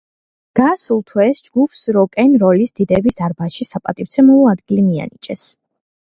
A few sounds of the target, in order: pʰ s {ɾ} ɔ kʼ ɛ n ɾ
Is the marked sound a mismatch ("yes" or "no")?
no